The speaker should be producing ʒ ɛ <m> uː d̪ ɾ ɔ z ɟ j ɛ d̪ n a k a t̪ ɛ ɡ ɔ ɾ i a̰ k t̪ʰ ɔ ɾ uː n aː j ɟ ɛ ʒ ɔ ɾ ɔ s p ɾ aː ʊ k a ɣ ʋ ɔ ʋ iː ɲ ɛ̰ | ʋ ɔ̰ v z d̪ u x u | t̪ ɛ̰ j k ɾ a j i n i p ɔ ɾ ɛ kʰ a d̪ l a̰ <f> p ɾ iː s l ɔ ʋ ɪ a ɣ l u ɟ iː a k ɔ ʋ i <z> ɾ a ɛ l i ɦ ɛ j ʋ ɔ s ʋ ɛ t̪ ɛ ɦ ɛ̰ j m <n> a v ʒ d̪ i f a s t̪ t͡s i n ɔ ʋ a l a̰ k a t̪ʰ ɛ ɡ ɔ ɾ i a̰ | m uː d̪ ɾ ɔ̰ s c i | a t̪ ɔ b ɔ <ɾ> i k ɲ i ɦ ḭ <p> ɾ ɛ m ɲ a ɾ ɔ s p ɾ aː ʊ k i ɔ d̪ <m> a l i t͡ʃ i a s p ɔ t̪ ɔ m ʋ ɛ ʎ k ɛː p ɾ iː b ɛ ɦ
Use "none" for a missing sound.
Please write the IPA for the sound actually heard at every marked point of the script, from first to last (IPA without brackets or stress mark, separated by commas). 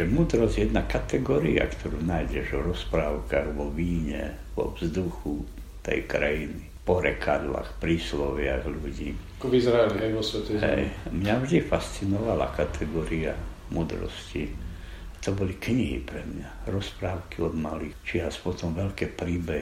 m, x, z, ɲ, l, p, m